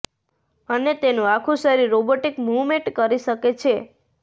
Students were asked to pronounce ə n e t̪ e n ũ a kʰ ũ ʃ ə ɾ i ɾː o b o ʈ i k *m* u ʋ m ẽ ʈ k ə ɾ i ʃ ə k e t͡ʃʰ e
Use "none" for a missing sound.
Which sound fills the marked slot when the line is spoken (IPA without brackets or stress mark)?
m